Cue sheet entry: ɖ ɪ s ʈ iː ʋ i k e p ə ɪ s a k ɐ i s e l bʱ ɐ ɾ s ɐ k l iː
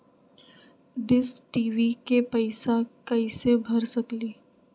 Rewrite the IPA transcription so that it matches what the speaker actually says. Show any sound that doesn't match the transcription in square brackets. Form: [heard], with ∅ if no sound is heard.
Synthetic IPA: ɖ ɪ s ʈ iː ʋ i k e p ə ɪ s a k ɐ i s e [∅] bʱ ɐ ɾ s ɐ k l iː